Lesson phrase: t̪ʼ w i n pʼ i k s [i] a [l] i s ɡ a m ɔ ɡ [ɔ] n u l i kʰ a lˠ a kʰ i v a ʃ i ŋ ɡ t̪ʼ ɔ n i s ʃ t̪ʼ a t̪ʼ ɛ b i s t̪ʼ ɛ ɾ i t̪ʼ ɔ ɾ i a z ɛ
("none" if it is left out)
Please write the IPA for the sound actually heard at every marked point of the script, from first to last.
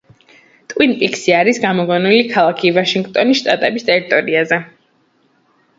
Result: i, ɾ, ɔ

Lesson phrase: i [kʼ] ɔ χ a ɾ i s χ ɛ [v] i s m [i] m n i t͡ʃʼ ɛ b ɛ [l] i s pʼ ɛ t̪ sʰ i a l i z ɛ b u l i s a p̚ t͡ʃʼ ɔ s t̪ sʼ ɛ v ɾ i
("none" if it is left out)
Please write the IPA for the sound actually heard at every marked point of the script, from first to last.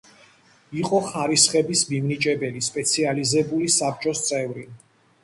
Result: qʼ, b, i, l

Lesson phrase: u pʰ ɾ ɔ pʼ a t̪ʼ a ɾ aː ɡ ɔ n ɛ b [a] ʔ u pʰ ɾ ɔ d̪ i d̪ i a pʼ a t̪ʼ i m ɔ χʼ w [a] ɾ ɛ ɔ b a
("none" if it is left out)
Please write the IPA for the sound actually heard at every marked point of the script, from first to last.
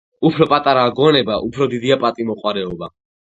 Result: a, a

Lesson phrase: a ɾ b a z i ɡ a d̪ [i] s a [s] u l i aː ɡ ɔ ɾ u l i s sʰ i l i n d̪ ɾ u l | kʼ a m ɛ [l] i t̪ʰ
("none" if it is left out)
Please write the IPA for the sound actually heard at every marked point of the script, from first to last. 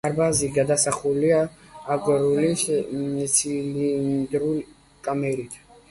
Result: a, χ, ɾ

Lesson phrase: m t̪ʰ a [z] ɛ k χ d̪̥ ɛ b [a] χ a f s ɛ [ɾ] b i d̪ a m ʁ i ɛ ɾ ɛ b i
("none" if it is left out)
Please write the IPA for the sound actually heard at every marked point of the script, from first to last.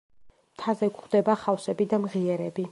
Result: z, a, none

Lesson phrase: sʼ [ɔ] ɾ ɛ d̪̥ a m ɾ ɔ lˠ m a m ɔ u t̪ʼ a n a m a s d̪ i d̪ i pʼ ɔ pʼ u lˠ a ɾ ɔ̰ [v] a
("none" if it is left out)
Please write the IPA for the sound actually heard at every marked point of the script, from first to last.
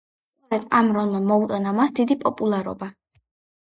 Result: ɔ, b

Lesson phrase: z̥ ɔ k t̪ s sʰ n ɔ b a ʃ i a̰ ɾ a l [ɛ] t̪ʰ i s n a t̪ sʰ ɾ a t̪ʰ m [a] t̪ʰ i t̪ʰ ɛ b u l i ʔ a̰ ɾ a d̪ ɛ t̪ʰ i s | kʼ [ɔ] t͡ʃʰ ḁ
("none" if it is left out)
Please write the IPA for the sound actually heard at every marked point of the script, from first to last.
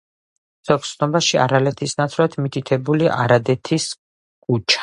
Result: ɛ, i, u

